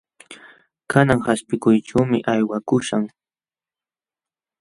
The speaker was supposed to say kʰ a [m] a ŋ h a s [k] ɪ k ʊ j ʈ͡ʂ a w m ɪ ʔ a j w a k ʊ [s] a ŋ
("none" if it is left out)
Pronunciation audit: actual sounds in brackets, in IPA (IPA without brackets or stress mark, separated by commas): n, p, ʃ